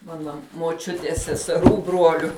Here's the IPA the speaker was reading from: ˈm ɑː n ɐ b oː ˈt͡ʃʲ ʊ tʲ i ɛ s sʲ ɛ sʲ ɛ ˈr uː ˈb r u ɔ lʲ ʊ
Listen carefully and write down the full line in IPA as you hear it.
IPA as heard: ˈm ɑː n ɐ m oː ˈt͡ʃʲ ʊ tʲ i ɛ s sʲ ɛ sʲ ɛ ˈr uː ˈb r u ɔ lʲ ʊ